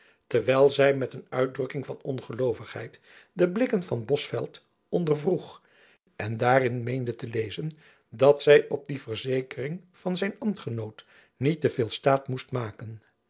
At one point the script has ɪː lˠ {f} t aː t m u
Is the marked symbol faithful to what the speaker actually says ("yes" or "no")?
no